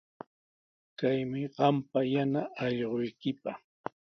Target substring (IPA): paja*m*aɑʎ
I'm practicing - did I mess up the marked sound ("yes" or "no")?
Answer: yes